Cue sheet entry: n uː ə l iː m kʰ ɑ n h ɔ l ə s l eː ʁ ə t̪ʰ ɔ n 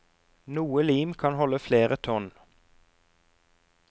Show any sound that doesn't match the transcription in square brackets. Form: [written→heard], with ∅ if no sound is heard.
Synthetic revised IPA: n uː ə l iː m kʰ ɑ n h ɔ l ə [s→f] l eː ʁ ə t̪ʰ ɔ n